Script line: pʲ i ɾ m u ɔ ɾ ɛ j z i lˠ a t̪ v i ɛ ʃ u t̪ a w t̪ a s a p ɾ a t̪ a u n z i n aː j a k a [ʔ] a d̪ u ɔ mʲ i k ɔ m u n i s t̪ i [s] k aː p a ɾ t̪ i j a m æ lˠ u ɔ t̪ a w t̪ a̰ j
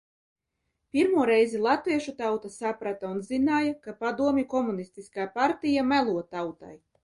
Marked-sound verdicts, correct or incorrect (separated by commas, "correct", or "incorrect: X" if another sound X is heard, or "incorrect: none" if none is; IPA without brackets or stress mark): incorrect: p, correct